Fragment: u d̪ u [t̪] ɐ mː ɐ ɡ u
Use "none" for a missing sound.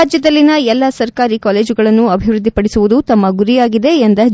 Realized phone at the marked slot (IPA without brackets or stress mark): t̪